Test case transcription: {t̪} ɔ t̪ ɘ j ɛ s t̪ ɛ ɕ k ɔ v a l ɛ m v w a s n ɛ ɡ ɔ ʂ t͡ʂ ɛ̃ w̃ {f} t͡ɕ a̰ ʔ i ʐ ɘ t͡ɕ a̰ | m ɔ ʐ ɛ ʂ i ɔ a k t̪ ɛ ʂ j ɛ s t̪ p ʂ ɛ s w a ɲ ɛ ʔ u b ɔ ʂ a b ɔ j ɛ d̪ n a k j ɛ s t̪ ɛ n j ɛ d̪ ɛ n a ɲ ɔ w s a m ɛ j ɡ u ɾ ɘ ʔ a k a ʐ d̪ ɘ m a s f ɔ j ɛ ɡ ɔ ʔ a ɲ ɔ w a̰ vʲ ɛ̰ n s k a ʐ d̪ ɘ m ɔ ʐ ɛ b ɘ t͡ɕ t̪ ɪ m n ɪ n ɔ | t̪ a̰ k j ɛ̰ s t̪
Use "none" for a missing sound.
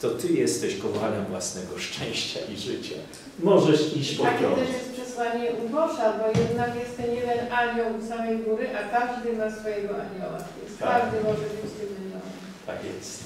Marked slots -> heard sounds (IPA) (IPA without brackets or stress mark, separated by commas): t̪, ɕ